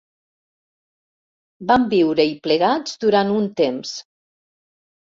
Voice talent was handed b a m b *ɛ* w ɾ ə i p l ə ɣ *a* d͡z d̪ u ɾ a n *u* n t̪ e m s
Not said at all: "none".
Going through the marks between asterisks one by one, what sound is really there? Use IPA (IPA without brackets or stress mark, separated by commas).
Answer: i, a, u